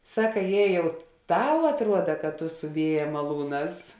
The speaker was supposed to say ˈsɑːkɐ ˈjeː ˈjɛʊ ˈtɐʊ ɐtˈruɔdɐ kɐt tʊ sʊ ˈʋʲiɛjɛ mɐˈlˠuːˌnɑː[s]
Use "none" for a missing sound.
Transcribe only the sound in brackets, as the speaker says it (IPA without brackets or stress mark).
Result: s